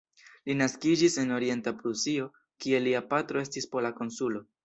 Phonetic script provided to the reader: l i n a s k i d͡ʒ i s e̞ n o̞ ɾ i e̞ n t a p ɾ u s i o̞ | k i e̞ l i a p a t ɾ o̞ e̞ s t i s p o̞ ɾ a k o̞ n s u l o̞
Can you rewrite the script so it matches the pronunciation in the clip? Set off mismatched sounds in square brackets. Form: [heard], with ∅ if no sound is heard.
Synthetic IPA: l i n a s k i d͡ʒ i s e̞ n o̞ ɾ i e̞ n t a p ɾ u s i o̞ | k i e̞ l i a p a t ɾ o̞ e̞ s t i s p o̞ [l] a k o̞ n s u l o̞